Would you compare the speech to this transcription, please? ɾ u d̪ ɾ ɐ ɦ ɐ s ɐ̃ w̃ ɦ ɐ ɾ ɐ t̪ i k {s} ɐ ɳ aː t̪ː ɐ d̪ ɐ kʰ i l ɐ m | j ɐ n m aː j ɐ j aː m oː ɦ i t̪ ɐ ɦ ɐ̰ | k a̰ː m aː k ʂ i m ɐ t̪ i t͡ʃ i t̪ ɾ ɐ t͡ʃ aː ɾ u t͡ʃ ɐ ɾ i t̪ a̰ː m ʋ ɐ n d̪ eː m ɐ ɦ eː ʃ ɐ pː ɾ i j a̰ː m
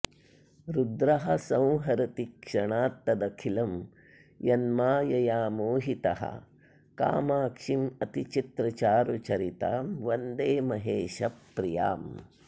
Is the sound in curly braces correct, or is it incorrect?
incorrect